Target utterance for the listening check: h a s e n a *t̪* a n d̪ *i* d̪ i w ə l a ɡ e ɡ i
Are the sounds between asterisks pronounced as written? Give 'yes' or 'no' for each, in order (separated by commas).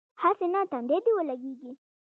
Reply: yes, no